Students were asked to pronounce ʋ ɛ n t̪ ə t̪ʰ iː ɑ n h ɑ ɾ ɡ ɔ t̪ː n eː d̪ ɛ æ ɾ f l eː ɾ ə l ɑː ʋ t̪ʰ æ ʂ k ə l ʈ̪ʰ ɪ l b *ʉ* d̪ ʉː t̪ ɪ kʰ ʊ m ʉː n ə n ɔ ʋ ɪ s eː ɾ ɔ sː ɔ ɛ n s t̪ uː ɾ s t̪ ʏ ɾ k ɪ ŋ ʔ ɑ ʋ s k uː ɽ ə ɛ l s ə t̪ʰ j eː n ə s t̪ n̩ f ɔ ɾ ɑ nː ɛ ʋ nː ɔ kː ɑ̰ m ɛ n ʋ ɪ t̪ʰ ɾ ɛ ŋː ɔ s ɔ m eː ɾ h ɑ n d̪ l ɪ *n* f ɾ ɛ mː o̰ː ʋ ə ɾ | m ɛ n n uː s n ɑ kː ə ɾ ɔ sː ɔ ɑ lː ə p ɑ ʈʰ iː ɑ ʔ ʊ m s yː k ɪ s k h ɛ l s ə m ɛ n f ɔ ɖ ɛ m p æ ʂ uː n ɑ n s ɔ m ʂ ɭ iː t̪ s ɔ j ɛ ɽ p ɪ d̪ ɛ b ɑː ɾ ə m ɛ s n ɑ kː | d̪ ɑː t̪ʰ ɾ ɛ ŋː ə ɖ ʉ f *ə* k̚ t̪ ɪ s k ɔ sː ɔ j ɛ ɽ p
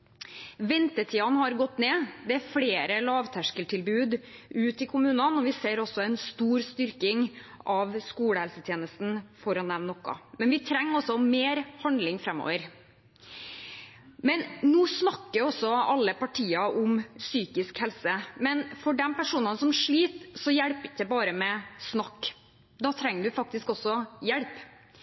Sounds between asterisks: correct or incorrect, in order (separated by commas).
incorrect, incorrect, incorrect